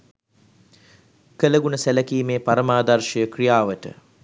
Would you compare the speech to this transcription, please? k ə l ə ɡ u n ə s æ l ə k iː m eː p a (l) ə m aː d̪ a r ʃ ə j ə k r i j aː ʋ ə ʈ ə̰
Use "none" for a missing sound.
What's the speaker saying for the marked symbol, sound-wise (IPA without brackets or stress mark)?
ɾ